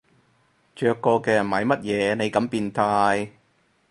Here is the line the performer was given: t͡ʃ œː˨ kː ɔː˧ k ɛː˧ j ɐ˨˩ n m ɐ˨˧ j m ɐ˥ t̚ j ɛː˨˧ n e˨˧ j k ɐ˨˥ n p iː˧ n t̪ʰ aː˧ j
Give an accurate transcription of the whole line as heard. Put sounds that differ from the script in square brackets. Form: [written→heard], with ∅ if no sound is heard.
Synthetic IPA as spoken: t͡ʃ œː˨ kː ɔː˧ k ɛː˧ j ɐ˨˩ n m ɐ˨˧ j m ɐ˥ t̚ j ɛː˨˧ n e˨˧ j k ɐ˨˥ [n→m] p iː˧ n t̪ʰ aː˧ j